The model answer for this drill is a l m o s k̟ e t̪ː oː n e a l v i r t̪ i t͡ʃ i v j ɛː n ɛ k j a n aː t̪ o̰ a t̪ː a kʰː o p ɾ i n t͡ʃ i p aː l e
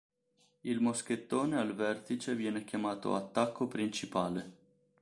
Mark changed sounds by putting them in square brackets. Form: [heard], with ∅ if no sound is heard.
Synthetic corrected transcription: [i] l m o s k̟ e t̪ː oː n e a l v [ɛ] r t̪ i t͡ʃ [e] v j ɛː n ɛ k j a [m] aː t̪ o̰ a t̪ː a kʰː o p ɾ i n t͡ʃ i p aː l e